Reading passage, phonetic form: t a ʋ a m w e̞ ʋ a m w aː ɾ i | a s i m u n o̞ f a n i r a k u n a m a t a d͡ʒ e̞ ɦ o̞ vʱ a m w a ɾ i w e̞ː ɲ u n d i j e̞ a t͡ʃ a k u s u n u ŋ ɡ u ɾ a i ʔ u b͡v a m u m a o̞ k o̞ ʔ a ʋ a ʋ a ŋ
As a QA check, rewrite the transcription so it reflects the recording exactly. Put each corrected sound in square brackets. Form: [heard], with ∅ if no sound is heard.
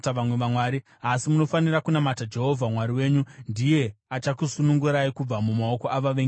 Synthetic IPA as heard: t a ʋ a m w e̞ ʋ a m w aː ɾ i | a s i m u n o̞ f a n i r a k u n a m a t a d͡ʒ e̞ ɦ o̞ vʱ a m w a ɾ i w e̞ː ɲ u n d i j e̞ a t͡ʃ a k u s u n u ŋ ɡ u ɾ a i [k] u b͡v a m u m a o̞ k o̞ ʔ a ʋ a ʋ [e] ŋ